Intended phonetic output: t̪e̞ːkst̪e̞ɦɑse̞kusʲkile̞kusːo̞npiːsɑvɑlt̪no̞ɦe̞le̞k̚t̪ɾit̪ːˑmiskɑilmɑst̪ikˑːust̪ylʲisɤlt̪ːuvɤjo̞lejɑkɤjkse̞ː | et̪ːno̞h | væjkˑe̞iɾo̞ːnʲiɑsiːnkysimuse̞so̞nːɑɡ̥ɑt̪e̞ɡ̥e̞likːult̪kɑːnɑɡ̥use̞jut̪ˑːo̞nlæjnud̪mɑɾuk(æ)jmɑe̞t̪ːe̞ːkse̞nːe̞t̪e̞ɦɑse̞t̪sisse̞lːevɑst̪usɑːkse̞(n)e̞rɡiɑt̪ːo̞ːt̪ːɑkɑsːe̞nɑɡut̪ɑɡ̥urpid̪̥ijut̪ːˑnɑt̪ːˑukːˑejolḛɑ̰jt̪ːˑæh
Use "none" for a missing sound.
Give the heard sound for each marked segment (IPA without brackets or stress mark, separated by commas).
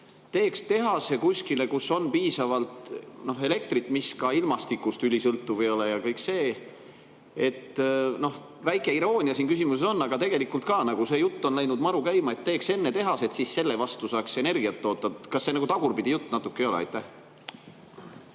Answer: æ, n